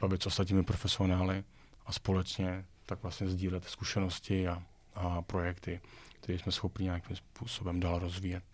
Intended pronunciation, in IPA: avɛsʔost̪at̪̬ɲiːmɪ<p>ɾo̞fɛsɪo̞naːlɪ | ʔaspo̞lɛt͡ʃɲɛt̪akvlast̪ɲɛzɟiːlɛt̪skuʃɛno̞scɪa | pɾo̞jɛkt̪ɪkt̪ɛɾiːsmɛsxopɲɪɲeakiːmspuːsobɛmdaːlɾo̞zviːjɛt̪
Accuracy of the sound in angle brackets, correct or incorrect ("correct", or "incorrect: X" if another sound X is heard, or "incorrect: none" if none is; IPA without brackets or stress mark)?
correct